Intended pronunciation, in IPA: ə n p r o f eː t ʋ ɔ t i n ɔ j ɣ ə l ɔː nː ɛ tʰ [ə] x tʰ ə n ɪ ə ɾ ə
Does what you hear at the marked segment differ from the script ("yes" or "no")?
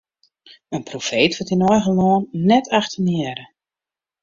yes